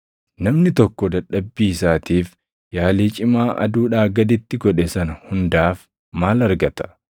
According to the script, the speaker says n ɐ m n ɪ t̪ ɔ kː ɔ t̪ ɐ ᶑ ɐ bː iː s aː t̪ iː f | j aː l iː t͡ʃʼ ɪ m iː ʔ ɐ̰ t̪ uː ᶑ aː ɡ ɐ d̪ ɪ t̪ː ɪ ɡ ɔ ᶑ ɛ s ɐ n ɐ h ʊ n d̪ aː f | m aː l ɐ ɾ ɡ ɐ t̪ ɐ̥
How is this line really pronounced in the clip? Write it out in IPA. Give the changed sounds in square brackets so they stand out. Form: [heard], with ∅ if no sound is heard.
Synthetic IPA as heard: n ɐ m n ɪ t̪ ɔ kː ɔ [d̪] ɐ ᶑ ɐ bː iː s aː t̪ iː f | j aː l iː t͡ʃʼ ɪ m [aː] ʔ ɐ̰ [d̪] uː ᶑ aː ɡ ɐ d̪ ɪ t̪ː ɪ ɡ ɔ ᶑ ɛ s ɐ n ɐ h ʊ n d̪ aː f | m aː l ɐ ɾ ɡ ɐ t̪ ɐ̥